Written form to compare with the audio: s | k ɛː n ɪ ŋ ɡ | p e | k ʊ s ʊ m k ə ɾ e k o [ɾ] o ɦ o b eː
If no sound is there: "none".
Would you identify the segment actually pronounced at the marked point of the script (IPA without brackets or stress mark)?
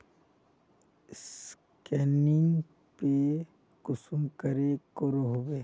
ɾ